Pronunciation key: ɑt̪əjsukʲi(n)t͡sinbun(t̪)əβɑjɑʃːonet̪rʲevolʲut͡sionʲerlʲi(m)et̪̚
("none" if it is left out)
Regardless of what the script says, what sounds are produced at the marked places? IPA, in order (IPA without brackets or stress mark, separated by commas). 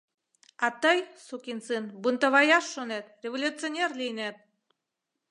n, t̪, n